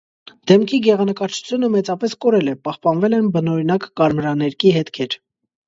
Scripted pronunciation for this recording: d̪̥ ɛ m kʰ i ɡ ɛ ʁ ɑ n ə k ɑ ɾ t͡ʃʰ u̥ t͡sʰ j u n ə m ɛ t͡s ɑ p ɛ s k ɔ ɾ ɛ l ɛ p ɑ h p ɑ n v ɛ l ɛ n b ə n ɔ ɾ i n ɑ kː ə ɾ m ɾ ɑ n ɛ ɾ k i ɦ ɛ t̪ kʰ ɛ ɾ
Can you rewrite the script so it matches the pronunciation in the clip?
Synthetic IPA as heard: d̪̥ ɛ m kʰ i ɡ ɛ ʁ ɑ n ə k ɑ ɾ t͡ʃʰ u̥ t͡sʰ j u n ə m ɛ t͡s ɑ p ɛ s k ɔ ɾ ɛ l ɛ p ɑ h p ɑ n v ɛ l ɛ n b ə n ɔ ɾ i n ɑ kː ɑ ɾ m ɾ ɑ n ɛ ɾ k i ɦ ɛ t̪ kʰ ɛ ɾ

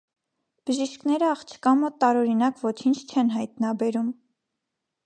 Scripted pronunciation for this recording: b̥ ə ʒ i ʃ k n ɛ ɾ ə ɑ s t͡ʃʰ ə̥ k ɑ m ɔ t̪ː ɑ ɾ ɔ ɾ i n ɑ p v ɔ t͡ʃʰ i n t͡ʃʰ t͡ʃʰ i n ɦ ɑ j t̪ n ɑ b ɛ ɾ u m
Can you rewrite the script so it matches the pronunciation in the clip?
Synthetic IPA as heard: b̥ ə ʒ i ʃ k n ɛ ɾ ə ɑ χ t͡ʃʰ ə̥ k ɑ m ɔ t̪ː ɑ ɾ ɔ ɾ i n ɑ k v ɔ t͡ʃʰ i n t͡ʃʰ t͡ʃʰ ɛ n ɦ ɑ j t̪ n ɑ b ɛ ɾ u m

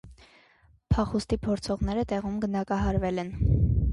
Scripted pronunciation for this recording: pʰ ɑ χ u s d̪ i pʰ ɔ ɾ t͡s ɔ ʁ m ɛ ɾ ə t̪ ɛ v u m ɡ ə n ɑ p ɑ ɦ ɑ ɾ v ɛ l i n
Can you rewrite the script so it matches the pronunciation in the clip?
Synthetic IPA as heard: pʰ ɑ χ u s t̪ i pʰ ɔ ɾ t͡sʰ ɔ ʁ n ɛ ɾ ə t̪ ɛ ʁ u m ɡ ə n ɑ k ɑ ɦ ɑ ɾ v ɛ l ɛ n

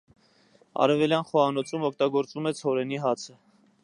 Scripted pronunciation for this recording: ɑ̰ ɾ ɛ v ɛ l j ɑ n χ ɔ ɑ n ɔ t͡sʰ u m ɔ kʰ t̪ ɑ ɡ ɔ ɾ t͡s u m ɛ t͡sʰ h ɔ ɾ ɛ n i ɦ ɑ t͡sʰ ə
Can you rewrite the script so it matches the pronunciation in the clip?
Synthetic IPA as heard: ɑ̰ ɾ ɛ v ɛ l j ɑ n χ ɔ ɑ n ɔ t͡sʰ u m ɔ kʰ t̪ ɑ ɡ ɔ ɾ t͡s u m ɛ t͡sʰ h ɔ ɾ ɛ n i ɦ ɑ t͡sʰ ə

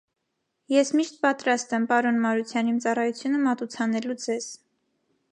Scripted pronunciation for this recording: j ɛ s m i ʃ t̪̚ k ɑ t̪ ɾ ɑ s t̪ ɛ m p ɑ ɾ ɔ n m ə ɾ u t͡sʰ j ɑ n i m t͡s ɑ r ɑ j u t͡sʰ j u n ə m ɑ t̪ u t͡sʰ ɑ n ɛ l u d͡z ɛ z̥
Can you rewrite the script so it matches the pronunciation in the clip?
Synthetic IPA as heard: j ɛ s m i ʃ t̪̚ p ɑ t̪ ɾ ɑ s t̪ ɛ m p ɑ ɾ ɔ n m ɑ ɾ u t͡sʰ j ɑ n i m t͡s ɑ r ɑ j u t͡sʰ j u n ə m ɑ t̪ u t͡sʰ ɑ n ɛ l u d͡z ɛ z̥

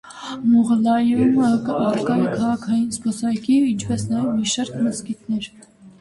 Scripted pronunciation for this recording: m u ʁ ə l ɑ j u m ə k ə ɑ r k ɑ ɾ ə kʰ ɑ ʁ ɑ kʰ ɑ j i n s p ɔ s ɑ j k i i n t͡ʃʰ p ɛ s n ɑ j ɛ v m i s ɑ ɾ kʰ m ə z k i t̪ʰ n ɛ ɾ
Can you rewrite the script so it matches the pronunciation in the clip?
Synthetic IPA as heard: m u ʁ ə l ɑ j u m ə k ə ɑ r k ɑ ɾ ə kʰ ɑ ʁ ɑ kʰ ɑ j i n s p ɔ s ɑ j k i i n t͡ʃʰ p ɛ s n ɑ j ɛ v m i ʃ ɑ ɾ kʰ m ə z k i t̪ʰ n ɛ ɾ

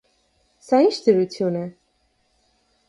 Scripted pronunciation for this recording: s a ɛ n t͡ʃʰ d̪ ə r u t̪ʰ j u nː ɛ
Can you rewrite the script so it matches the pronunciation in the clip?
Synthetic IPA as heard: s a i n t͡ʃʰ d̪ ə ɾ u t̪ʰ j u n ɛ

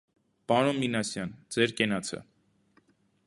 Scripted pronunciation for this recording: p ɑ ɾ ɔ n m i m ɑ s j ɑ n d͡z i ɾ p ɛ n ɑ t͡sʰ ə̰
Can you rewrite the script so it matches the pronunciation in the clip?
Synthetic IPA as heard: p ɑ ɾ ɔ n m i n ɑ s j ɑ n d͡z ɛ ɾ k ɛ n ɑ t͡sʰ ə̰

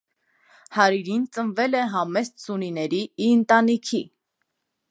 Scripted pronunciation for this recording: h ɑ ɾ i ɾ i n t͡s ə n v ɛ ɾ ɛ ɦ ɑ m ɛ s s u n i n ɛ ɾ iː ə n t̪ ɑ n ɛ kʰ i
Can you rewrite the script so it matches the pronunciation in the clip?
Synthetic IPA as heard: h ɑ ɾ i ɾ i n t͡s ə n v ɛ l ɛ ɦ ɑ m ɛ s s u n i n ɛ ɾ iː ə n t̪ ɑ n i kʰ i

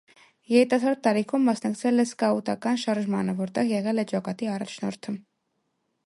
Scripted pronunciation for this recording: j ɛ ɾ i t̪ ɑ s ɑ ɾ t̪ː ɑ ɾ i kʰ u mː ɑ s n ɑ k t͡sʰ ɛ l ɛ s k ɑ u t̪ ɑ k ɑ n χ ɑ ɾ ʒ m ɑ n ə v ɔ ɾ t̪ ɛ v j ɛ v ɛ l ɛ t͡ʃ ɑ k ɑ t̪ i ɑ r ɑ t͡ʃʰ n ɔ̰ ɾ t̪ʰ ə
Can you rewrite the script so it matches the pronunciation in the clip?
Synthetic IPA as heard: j ɛ ɾ i t̪ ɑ s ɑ ɾ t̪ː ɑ ɾ i kʰ u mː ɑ s n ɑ k t͡sʰ ɛ l ɛ s k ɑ u t̪ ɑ k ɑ n ʃ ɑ ɾ ʒ m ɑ n ə v ɔ ɾ t̪ ɛ ʁ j ɛ ʁ ɛ l ɛ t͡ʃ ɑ k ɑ t̪ i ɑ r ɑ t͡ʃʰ n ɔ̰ ɾ t̪ʰ ə

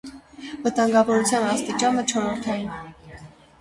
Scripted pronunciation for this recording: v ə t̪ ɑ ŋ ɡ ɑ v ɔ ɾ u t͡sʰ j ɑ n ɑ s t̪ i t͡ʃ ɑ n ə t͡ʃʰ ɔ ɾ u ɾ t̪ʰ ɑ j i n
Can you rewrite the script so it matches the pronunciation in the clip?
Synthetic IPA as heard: v ə t̪ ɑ ŋ ɡ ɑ v ɔ ɾ u t͡sʰ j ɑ n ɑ s t̪ i t͡ʃ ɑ n ə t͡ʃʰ ɔ ɾ ɔ ɾ t̪ʰ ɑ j i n

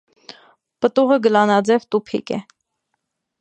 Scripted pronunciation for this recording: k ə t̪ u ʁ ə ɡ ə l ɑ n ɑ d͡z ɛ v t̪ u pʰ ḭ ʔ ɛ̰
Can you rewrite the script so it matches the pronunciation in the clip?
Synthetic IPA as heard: p ə t̪ u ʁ ə ɡ ə l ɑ n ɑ d͡z ɛ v t̪ u pʰ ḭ k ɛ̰

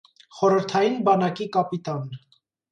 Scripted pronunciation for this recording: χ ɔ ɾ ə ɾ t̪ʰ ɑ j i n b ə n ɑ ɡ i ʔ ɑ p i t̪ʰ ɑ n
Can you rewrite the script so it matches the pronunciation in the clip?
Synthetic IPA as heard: χ ɔ ɾ ə ɾ t̪ʰ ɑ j i n b ɑ n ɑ k i k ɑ p i t̪ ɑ n

